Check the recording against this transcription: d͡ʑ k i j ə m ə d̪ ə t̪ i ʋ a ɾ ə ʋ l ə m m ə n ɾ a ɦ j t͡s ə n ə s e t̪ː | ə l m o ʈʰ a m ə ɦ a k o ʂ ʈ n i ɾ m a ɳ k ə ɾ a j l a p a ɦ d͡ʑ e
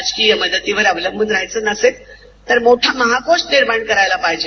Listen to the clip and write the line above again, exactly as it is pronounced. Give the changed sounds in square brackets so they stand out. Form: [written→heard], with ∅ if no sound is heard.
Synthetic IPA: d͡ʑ k i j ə m ə d̪ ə t̪ i ʋ [a→ə] ɾ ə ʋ l ə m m ə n ɾ a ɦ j t͡s ə n ə s e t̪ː | ə [l→ɾ] m o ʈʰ a m ə ɦ a k o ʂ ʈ n i ɾ m a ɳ k ə ɾ a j l a p a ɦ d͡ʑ e